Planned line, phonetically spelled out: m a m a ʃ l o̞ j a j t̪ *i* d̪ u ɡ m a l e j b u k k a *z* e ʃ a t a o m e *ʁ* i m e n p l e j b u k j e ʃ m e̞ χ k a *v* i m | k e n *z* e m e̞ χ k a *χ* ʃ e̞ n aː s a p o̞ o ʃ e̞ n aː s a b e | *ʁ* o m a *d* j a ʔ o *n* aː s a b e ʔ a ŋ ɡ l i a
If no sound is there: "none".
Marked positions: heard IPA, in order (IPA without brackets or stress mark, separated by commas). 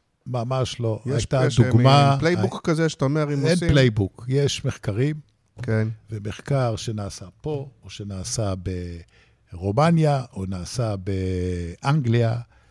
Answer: a, z, ʁ, ʁ, v, ʁ, ʁ, n, n